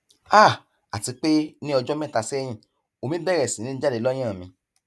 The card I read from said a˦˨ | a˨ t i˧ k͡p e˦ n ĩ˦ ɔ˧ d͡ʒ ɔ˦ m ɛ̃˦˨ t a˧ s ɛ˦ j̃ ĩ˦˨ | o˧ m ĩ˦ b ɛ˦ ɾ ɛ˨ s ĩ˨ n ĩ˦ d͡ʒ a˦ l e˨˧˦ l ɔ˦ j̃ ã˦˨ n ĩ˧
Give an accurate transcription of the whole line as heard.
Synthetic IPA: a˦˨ | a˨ t i˧ k͡p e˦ n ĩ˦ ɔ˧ d͡ʒ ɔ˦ m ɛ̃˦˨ t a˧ s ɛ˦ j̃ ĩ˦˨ | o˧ m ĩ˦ b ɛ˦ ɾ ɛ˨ s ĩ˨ n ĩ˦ d͡ʒ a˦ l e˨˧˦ l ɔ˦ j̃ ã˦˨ m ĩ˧